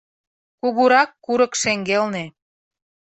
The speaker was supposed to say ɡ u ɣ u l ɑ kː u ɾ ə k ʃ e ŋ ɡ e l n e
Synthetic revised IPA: k u ɣ u ɾ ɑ kː u ɾ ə k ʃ e ŋ ɡ e l n e